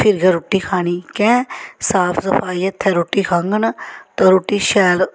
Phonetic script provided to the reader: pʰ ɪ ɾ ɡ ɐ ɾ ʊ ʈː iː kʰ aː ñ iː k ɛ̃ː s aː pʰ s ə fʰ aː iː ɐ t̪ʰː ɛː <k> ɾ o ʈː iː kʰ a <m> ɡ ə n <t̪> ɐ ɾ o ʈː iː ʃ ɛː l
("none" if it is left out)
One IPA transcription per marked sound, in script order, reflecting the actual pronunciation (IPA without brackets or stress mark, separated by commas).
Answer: none, ŋ, t̪